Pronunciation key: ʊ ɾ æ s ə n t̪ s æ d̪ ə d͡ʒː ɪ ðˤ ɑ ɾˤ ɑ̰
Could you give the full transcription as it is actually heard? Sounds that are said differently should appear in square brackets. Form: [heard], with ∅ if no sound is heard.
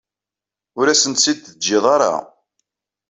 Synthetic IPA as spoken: ʊ ɾ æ s ə n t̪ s [i] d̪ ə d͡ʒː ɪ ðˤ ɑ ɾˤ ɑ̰